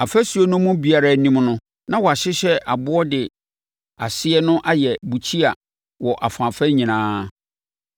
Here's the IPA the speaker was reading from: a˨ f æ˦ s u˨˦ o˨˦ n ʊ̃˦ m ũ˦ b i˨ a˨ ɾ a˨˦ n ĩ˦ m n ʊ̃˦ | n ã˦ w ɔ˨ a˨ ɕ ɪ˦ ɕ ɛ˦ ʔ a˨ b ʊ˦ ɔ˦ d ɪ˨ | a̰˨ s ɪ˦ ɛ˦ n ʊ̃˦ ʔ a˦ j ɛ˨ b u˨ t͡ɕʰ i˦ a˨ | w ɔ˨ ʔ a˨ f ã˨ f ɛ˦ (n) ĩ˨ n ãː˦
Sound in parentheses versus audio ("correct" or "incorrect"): incorrect